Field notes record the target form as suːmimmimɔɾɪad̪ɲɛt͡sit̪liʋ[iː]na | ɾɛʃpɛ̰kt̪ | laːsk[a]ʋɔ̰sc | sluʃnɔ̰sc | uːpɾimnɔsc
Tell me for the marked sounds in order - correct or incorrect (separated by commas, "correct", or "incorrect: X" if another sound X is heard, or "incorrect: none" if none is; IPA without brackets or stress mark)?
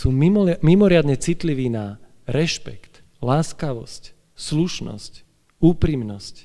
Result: correct, correct